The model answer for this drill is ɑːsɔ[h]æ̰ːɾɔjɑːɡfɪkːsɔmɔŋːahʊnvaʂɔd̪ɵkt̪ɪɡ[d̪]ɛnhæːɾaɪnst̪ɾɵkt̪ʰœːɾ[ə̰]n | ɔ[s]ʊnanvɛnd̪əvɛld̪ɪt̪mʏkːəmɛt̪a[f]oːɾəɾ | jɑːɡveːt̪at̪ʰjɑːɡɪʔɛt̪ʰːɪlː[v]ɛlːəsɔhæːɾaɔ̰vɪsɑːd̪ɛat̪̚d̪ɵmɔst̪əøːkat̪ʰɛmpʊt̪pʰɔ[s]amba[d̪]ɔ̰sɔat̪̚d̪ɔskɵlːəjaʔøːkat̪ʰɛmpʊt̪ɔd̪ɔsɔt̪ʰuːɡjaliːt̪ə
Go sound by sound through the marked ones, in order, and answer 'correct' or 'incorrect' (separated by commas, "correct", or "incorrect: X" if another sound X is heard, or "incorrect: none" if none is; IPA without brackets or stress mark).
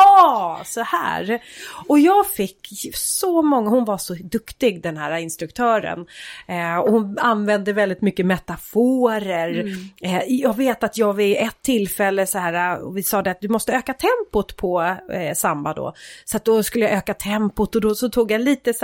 correct, correct, correct, incorrect: h, correct, incorrect: f, correct, correct